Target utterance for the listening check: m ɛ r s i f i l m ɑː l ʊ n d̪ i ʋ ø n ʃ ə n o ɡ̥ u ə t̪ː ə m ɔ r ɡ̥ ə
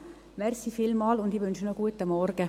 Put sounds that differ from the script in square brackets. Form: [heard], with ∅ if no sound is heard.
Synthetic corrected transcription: m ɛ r s i f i l m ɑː l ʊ n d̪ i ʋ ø n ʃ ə n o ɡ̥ u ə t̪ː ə m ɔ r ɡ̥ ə